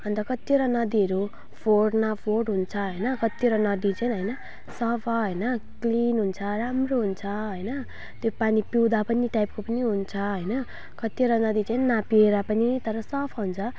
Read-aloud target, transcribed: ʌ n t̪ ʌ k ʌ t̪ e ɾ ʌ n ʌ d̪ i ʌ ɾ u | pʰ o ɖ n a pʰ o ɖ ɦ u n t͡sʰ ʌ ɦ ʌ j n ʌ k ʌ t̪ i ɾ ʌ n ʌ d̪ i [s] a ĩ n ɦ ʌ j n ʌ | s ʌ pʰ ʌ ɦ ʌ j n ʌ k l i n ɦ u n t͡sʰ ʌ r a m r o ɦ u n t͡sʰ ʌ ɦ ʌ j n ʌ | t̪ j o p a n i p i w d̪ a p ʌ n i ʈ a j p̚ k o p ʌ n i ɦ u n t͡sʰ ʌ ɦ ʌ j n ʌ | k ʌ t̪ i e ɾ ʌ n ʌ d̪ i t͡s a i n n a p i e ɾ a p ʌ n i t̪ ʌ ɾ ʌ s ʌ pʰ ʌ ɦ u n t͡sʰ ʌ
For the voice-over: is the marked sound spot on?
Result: no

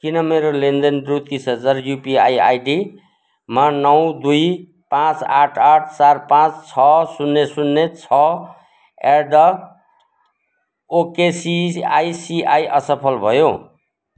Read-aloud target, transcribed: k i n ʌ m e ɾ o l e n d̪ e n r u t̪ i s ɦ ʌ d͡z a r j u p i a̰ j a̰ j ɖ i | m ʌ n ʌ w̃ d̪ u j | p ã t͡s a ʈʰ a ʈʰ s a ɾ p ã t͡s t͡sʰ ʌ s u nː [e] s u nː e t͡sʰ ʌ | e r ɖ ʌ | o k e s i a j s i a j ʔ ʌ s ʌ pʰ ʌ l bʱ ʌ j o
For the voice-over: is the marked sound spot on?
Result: yes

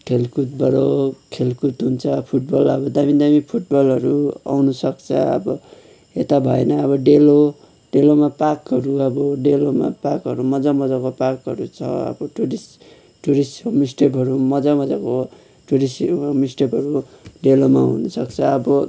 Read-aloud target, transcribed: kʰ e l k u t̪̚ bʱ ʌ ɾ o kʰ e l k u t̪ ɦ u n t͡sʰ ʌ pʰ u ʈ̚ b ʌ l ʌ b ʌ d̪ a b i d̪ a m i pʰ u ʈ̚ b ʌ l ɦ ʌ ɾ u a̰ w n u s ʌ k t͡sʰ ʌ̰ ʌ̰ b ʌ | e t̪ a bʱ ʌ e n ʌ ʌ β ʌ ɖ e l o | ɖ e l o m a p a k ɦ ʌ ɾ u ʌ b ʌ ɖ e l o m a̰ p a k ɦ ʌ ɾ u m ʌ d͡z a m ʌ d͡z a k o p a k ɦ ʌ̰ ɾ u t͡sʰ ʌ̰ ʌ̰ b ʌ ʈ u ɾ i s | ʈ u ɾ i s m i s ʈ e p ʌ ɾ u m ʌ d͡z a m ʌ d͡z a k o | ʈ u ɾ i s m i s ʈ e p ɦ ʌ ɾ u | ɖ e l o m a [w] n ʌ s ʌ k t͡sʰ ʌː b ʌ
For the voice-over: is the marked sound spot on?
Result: no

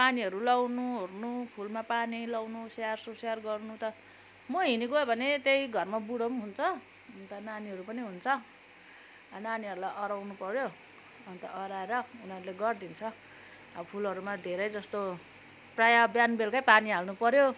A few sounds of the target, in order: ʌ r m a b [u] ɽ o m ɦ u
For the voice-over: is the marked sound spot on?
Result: yes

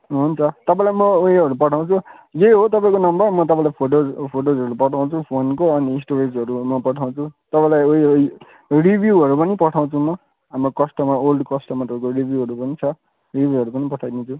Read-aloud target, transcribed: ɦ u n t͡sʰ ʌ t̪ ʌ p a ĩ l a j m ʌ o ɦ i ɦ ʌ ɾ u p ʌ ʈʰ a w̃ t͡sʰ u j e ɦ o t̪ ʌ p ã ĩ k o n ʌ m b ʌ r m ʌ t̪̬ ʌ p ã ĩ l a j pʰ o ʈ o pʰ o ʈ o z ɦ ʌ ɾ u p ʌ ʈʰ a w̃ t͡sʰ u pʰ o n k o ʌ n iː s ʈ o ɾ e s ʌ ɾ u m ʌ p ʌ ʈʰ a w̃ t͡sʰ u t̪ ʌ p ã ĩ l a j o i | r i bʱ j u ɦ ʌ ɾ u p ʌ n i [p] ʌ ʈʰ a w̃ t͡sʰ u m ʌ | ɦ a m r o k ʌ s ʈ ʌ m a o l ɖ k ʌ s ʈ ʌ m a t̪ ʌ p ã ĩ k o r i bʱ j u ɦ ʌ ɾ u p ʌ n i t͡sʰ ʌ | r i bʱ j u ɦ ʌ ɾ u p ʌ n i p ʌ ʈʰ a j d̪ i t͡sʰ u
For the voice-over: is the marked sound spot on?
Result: yes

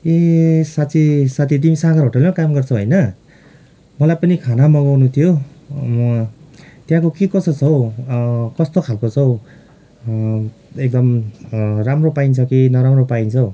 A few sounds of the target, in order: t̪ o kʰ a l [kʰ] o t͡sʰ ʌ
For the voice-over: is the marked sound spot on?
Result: no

